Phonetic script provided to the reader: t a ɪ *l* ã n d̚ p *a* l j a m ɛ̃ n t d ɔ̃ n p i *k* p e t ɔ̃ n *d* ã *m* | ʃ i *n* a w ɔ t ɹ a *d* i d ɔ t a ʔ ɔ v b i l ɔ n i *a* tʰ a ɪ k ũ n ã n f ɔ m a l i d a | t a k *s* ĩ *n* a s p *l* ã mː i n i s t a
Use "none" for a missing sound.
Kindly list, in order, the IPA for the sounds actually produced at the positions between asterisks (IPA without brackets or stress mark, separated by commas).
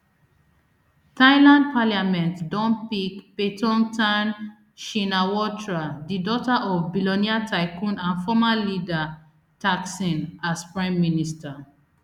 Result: l, a, k, t, n, n, d, a, s, n, ɹ